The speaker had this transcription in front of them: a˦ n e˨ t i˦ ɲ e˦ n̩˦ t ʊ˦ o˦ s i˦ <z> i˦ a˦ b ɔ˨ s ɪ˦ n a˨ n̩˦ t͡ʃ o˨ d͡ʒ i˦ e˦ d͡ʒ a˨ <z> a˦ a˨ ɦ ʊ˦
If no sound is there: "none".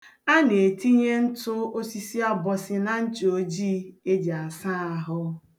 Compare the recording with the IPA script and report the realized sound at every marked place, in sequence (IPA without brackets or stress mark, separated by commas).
s, s